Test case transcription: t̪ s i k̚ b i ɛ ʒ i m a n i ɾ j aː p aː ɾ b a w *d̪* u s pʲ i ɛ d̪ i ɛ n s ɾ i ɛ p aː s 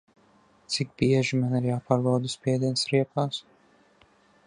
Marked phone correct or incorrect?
correct